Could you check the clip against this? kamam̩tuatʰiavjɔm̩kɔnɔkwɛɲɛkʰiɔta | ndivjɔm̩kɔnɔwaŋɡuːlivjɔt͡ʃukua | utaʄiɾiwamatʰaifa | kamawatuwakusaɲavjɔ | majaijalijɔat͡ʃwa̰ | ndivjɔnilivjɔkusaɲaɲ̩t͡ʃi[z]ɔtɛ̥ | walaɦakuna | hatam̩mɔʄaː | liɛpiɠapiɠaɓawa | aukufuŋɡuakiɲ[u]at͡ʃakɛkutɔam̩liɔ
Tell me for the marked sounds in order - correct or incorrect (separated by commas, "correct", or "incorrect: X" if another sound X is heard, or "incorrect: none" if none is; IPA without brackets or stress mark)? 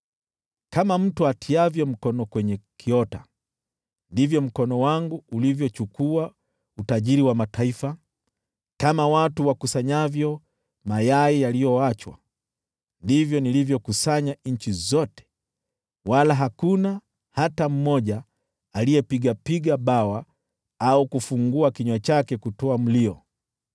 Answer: correct, incorrect: w